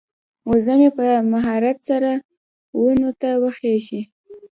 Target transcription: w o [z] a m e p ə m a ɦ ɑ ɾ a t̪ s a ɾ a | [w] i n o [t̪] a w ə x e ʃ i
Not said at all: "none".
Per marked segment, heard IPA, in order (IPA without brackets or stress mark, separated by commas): z, w, t̪